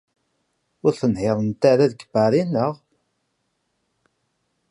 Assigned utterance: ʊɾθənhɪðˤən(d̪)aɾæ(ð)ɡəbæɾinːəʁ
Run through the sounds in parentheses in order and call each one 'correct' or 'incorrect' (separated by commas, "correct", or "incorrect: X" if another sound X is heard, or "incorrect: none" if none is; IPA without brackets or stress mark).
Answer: incorrect: t̪, correct